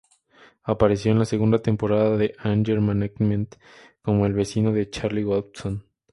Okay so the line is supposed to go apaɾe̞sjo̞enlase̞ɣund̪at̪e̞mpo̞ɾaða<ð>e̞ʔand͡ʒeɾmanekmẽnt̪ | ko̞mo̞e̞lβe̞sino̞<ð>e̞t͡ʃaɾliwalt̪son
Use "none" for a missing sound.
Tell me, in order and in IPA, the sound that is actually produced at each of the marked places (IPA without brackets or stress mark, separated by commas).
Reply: ð, ð